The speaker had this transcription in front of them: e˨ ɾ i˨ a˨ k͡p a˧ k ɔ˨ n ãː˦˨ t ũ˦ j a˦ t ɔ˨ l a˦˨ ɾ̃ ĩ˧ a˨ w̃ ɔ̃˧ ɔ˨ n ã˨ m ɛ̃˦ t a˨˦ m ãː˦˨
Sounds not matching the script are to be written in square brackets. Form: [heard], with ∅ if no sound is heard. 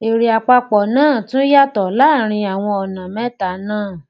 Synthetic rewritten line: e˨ ɾ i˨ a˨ k͡p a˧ [k͡p] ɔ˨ n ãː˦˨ t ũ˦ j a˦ t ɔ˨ l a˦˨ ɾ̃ ĩ˧ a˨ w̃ ɔ̃˧ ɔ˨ n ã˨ m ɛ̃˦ t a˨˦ [n] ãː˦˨